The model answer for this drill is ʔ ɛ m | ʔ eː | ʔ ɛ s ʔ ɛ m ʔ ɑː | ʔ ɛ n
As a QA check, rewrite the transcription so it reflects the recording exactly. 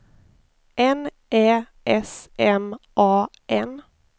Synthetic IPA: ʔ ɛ n | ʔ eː | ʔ ɛ s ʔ ɛ m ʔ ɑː | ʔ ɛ n